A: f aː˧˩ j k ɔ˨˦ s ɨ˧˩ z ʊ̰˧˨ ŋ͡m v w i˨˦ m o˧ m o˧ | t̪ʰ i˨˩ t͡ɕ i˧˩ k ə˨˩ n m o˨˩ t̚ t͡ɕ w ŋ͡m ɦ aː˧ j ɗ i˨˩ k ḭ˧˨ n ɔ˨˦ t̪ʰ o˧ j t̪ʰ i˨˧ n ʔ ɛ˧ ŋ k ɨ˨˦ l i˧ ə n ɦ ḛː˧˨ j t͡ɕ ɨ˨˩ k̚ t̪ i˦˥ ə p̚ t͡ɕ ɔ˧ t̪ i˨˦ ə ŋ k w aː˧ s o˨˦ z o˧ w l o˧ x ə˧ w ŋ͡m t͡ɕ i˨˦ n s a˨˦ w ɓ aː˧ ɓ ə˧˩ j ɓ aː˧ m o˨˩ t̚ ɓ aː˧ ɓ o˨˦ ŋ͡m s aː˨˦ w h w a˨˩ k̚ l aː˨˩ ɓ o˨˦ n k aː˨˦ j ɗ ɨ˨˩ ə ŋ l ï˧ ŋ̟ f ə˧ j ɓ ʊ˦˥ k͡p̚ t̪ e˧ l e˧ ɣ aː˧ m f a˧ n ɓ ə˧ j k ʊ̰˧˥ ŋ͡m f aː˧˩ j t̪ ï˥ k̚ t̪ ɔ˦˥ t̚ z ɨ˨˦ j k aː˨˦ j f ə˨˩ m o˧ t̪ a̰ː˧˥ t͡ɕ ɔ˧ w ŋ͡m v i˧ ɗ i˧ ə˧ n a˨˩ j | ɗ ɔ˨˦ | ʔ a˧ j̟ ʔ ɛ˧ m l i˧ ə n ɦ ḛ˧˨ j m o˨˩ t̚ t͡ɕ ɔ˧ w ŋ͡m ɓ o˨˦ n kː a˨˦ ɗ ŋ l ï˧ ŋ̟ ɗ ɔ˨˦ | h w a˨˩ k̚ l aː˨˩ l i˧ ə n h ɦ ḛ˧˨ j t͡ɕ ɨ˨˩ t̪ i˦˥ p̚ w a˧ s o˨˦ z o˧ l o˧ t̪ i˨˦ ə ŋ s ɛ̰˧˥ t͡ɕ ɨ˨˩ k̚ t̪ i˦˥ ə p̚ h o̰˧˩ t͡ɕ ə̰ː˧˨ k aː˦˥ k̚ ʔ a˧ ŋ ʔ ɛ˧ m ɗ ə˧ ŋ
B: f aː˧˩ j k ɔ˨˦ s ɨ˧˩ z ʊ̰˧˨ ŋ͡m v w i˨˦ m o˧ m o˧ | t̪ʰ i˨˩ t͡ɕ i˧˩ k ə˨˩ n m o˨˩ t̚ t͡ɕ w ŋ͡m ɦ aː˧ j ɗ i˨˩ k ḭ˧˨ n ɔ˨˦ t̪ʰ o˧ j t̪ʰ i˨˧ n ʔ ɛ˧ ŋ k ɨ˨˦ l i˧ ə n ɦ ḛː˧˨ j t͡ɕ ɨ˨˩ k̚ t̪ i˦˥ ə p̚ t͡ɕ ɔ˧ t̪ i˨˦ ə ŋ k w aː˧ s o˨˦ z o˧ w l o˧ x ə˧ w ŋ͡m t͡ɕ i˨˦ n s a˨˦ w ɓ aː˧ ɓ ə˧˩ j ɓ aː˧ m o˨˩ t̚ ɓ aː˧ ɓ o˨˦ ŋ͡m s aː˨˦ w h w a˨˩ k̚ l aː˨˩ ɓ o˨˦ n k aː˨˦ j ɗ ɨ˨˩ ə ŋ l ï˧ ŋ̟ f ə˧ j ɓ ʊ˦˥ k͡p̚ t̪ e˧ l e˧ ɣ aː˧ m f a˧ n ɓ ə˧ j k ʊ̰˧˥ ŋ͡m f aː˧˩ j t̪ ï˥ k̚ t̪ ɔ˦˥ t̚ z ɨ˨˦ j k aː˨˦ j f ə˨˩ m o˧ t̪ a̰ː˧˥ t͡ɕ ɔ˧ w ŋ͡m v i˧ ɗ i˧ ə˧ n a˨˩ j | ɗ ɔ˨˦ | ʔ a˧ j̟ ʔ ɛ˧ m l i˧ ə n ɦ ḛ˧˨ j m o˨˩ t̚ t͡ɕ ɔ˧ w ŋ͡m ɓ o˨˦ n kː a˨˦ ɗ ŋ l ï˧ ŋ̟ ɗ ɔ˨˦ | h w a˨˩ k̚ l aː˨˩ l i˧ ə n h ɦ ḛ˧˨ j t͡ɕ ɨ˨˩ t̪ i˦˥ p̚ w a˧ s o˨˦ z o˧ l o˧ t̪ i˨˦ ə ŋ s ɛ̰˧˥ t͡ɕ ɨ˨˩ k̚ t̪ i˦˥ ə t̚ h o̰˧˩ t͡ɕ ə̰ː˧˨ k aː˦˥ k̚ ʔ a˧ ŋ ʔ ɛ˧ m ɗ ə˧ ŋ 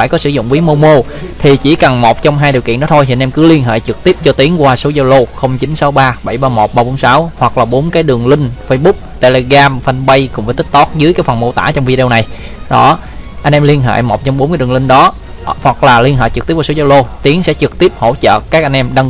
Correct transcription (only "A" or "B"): A